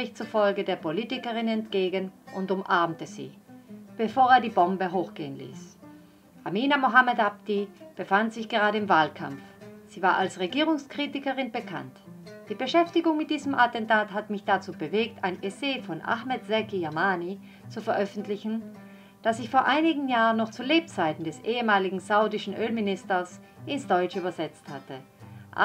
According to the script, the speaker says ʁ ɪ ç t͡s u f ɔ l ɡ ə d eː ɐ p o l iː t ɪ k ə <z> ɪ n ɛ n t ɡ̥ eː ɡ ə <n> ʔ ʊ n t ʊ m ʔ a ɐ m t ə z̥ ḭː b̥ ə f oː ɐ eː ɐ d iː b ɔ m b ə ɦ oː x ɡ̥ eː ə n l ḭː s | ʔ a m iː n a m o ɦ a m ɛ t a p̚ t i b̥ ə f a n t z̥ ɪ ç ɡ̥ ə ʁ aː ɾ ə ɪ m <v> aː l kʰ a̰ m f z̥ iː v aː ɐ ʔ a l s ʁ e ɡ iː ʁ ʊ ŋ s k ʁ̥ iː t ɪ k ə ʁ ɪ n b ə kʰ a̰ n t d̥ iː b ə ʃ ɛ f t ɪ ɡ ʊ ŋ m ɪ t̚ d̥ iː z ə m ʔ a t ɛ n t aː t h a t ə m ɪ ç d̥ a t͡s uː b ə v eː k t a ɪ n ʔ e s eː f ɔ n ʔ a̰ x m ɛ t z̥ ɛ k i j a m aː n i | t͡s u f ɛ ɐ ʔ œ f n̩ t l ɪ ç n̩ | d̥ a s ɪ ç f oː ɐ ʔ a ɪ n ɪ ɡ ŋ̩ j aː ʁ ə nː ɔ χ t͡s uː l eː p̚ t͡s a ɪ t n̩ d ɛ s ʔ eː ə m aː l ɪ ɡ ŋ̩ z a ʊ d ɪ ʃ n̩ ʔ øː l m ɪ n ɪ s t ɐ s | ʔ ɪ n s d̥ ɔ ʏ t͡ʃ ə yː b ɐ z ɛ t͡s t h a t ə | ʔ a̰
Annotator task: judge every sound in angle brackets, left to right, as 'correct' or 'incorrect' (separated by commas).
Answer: incorrect, correct, correct